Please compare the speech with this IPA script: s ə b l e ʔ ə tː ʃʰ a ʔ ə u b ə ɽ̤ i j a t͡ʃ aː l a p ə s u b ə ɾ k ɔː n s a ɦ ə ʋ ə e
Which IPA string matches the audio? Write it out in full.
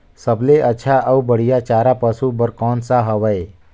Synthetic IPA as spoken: s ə b l e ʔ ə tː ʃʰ a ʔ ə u b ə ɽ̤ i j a t͡ʃ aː ɾ a p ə s u b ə ɾ k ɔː n s a ɦ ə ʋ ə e